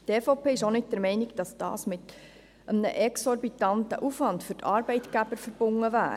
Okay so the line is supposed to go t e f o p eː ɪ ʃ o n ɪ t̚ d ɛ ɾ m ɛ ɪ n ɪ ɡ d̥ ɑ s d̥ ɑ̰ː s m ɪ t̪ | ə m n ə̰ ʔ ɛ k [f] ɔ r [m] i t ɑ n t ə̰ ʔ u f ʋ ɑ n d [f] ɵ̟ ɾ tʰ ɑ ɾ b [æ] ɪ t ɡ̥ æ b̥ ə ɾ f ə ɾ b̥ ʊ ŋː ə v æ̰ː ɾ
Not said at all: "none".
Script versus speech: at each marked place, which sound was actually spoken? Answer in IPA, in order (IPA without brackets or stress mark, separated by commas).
s, b, f, ɛ